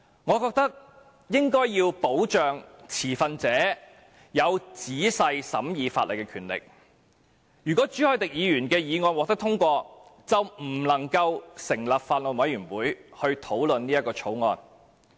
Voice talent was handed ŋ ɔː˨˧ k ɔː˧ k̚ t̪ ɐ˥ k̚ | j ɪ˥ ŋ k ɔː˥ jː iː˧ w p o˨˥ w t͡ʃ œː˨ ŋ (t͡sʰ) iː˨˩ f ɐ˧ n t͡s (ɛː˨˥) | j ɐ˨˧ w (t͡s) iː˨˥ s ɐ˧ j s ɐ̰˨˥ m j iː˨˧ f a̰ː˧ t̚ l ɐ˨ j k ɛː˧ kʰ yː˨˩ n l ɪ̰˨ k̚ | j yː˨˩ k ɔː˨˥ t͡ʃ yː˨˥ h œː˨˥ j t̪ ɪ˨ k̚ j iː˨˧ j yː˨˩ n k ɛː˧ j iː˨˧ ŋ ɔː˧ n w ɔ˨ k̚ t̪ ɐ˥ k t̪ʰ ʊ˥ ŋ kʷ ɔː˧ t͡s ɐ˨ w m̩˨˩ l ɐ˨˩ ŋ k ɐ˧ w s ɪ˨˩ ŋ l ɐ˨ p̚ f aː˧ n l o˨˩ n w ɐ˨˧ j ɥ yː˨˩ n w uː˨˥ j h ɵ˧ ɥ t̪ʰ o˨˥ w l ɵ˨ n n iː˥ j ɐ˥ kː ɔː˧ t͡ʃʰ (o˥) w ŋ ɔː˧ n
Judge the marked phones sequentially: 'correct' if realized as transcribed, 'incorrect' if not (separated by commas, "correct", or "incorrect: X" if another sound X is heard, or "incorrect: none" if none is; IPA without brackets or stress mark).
correct, correct, correct, incorrect: o˨˥